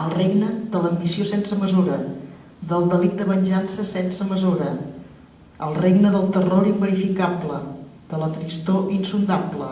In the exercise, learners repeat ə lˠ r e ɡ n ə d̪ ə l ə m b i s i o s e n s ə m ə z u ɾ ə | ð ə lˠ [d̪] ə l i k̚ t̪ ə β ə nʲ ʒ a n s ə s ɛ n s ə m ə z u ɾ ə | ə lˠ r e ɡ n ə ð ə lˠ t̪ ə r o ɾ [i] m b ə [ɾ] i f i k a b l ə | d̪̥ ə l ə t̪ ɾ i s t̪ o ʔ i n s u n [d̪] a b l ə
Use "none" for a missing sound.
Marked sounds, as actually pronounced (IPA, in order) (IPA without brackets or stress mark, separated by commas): d̪, i, ɾ, d̪